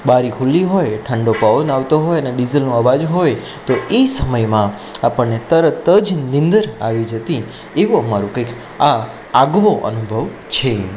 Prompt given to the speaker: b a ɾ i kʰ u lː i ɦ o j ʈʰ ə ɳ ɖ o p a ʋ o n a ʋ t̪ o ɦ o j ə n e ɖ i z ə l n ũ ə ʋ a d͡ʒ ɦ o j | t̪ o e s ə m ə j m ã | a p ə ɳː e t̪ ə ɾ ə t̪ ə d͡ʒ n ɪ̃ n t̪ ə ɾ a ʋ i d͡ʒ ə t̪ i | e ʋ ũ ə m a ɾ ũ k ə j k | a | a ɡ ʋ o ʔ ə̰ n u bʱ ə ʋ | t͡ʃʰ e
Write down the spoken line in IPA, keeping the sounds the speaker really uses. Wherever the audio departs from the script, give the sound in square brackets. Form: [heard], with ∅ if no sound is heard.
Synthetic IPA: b a ɾ i kʰ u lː i ɦ o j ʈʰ ə ɳ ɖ o p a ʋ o n a ʋ t̪ o ɦ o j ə n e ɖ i z ə l n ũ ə ʋ a d͡ʒ ɦ o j | t̪ o e s ə m ə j m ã | a p ə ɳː e t̪ ə ɾ ə t̪ ə d͡ʒ n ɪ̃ n [d̪] ə ɾ a ʋ i d͡ʒ ə t̪ i | e ʋ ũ ə m a ɾ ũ k ə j k | a | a ɡ ʋ o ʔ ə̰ n u bʱ ə ʋ | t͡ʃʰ e